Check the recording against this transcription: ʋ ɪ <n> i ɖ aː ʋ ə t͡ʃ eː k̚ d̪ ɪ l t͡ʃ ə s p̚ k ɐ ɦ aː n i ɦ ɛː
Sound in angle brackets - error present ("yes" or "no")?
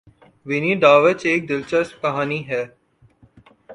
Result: no